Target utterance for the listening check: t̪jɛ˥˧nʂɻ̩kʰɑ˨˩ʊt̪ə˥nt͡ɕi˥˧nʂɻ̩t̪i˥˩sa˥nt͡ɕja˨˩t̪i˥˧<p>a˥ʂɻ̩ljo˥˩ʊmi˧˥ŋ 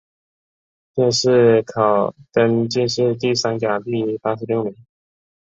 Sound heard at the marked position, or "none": p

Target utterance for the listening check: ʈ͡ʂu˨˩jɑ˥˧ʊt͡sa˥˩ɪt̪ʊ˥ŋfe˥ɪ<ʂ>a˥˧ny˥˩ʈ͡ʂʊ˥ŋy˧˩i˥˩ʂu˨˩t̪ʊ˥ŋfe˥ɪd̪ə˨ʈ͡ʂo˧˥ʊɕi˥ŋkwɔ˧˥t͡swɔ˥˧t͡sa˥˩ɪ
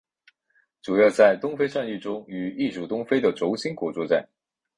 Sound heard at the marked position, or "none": ʂ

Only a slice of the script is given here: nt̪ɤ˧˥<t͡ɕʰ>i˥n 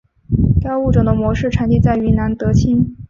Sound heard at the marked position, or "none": t͡ɕʰ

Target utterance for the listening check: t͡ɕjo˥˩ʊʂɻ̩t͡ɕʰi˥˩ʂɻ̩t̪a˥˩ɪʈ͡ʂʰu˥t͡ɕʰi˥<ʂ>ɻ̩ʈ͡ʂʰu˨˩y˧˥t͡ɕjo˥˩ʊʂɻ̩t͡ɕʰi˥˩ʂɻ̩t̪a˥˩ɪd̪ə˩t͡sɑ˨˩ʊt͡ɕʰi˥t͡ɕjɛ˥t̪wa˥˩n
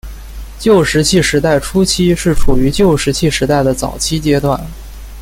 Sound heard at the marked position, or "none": ʂ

